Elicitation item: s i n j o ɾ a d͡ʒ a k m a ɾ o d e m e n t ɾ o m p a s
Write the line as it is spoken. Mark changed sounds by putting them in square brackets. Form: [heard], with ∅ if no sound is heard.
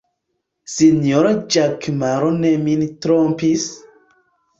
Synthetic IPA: s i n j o ɾ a d͡ʒ a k m a ɾ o [n] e m [i] n t ɾ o m p [i] s